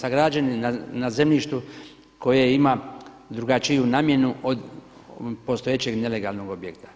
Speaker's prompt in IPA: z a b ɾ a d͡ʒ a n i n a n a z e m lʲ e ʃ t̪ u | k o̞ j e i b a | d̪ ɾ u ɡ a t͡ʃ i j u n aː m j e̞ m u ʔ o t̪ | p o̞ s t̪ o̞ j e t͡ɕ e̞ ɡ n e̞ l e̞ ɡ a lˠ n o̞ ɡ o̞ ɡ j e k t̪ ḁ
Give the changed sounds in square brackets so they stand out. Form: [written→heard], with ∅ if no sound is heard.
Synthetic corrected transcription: [z→s] a [b→ɡ] ɾ a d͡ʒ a n i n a n a z e m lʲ [e→i] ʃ t̪ u | k o̞ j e i [b→m] a | d̪ ɾ u ɡ a t͡ʃ i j u n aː m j e̞ [m→n] u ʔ o [t̪→d̪] | p o̞ s t̪ o̞ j e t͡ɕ e̞ ɡ n e̞ l e̞ ɡ a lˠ n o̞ ɡ o̞ [ɡ→b] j e k t̪ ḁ